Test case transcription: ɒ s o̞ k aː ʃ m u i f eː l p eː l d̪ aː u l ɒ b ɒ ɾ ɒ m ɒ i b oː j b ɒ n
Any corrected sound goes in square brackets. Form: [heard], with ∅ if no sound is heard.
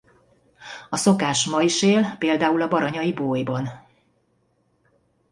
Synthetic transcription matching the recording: ɒ s o̞ k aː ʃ m [ɒ] i [ʃ] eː l p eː l d̪ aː u l ɒ b ɒ ɾ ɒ [ɲ] ɒ i b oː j b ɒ n